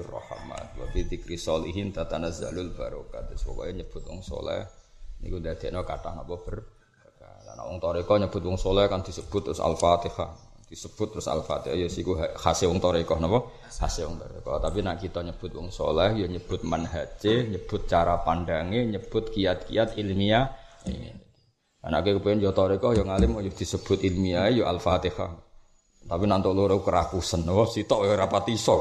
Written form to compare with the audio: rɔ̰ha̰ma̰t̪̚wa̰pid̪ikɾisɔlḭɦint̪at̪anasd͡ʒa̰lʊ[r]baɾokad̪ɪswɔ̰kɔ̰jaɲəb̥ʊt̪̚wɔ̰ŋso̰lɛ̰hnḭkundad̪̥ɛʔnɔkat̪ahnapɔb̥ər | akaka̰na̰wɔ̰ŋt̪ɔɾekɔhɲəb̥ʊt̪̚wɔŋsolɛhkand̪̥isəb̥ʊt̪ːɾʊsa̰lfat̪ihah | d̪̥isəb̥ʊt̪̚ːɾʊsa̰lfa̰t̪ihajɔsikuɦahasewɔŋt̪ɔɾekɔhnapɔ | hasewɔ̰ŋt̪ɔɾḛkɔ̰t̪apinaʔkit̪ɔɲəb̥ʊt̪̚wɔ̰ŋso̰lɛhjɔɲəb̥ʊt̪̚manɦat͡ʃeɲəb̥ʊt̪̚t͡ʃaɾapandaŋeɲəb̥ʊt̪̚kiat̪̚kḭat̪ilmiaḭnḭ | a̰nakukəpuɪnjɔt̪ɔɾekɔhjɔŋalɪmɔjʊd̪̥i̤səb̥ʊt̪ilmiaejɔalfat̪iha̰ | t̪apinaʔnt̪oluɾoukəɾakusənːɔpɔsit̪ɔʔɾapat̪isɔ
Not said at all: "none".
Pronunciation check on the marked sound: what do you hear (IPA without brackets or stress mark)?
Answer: l